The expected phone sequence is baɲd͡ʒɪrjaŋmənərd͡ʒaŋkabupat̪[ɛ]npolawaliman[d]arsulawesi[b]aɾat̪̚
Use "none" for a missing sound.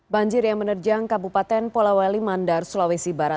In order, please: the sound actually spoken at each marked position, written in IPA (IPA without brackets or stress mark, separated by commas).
ɛ, d, b